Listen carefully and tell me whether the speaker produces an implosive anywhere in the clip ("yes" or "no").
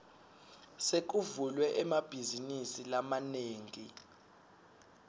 no